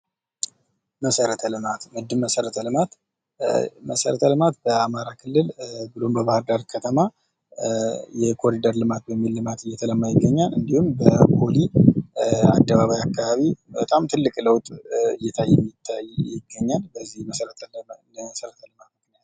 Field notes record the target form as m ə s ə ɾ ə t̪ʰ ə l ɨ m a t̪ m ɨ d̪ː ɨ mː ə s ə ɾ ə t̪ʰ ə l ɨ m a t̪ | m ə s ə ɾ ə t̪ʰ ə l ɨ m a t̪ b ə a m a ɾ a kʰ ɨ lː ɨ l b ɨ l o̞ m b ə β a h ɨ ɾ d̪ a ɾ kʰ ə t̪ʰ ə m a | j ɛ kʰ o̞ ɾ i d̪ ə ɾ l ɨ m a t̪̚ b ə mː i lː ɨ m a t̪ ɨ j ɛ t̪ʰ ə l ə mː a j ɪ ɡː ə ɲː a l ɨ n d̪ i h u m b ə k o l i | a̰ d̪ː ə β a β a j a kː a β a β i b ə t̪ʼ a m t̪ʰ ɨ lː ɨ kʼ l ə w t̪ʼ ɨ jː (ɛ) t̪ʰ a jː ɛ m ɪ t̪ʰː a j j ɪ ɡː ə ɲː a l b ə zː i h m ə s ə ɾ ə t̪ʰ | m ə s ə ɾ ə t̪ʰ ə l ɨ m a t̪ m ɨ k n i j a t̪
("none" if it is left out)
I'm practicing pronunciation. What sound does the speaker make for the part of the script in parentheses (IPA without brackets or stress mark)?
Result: ɛ